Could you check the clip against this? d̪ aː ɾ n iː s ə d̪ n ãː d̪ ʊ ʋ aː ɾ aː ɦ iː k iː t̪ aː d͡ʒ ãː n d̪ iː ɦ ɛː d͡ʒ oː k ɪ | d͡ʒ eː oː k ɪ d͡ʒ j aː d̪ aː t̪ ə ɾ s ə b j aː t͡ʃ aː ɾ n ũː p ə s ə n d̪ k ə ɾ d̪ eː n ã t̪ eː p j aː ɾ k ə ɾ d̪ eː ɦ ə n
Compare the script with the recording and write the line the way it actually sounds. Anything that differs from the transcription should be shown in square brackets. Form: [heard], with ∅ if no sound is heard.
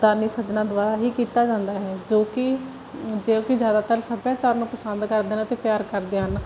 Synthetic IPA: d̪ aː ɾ n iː s ə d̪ n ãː d̪ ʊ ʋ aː ɾ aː ɦ iː k iː t̪ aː d͡ʒ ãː n d̪ [aː] ɦ ɛː d͡ʒ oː k ɪ | d͡ʒ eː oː k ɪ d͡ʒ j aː d̪ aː t̪ ə ɾ s ə b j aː t͡ʃ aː ɾ n ũː p ə s ə n d̪ k ə ɾ d̪ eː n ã t̪ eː p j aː ɾ k ə ɾ d̪ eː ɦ ə n